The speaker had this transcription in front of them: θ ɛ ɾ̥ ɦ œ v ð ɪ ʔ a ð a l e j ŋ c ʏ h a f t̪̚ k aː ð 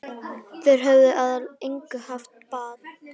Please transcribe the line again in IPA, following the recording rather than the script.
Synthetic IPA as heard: θ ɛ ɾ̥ ɦ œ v ð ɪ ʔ a ð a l e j ŋ k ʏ h a f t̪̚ p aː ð